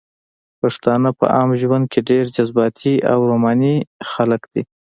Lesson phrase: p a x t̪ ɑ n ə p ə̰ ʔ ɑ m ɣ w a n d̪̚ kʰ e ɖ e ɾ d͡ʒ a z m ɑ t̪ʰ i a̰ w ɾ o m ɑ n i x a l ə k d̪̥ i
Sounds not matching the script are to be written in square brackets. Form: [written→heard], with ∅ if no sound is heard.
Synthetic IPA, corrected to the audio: p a [x→ʂ] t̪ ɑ n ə p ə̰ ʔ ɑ m [ɣ→ʒ] w a n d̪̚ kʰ e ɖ e ɾ d͡ʒ a z [m→b] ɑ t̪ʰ i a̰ w ɾ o m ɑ n i x a l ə k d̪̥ i